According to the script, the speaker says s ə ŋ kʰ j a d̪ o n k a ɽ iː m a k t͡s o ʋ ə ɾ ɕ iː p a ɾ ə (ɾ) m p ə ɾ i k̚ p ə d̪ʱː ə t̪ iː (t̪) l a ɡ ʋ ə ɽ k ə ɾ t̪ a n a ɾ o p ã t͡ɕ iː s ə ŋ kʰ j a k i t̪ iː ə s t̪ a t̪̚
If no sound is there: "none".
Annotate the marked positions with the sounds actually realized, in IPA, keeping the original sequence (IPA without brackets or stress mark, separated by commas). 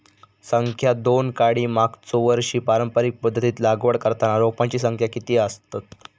none, t̪